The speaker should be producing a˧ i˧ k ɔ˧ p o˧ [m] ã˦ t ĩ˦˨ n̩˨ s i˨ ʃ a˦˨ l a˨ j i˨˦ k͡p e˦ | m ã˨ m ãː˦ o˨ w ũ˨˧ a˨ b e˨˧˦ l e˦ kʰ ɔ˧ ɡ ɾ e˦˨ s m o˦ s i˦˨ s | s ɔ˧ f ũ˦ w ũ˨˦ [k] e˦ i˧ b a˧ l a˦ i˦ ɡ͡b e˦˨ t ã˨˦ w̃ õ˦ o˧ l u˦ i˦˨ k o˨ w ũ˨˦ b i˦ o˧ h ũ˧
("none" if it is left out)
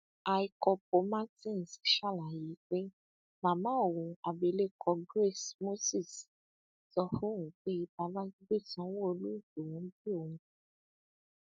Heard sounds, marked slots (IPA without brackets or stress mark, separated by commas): m, k͡p